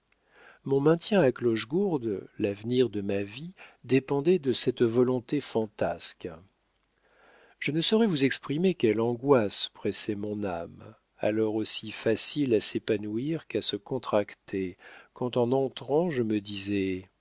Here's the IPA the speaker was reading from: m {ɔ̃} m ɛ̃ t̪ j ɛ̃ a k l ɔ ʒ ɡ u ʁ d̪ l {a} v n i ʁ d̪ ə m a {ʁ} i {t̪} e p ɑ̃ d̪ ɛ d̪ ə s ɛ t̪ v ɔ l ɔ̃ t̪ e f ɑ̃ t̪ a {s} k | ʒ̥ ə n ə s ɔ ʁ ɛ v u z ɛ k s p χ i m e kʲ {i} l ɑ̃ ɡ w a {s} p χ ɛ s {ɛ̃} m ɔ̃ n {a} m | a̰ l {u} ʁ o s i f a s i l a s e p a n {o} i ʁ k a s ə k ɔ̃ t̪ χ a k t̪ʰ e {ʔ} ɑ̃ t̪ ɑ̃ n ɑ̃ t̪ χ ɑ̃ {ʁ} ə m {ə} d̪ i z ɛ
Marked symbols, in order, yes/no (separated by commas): yes, yes, no, no, yes, no, yes, no, yes, no, no, no, no, yes